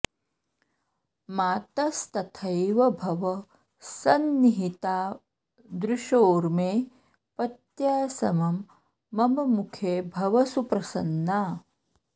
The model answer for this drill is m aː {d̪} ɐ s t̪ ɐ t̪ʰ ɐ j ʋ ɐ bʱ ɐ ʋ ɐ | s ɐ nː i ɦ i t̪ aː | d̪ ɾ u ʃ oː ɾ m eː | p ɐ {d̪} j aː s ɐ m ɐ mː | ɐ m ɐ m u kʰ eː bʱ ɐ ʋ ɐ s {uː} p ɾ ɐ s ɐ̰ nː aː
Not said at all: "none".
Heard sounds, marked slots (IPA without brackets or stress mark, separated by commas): t̪, t̪, u